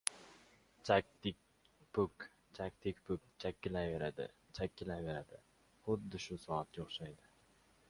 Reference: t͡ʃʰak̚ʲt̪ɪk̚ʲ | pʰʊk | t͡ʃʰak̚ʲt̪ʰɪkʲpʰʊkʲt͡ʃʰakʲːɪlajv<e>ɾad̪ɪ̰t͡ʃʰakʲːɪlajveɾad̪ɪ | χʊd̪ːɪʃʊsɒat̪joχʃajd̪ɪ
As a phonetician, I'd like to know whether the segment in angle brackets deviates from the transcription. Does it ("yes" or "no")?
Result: no